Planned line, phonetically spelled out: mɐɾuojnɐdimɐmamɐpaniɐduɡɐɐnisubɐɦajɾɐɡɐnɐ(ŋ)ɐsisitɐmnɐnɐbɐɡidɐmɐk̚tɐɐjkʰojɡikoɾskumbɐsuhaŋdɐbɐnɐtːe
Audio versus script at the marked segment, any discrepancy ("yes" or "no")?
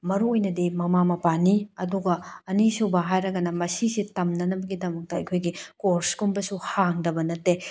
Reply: yes